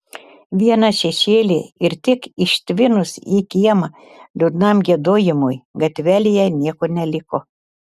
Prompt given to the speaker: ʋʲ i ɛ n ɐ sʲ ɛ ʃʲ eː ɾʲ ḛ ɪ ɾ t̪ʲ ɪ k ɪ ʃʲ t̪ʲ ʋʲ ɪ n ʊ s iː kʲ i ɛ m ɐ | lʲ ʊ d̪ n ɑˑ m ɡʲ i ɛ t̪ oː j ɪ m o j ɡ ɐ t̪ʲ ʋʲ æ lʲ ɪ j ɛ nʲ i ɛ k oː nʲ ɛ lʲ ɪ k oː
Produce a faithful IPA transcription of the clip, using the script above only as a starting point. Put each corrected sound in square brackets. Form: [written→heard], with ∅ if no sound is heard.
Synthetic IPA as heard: ʋʲ i ɛ n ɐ [sʲ→ʃʲ] ɛ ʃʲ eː [ɾʲ→lʲ] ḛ ɪ ɾ t̪ʲ ɪ k ɪ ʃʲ t̪ʲ ʋʲ ɪ n ʊ s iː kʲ i ɛ m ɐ | lʲ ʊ d̪ n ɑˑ m ɡʲ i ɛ [t̪→d̪] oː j ɪ m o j ɡ ɐ t̪ʲ ʋʲ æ lʲ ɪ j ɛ nʲ i ɛ k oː nʲ ɛ lʲ ɪ k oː